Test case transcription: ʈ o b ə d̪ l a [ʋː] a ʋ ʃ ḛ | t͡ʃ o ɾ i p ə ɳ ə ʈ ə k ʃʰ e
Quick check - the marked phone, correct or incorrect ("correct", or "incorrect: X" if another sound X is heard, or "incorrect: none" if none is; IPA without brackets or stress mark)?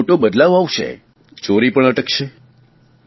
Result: incorrect: ʋ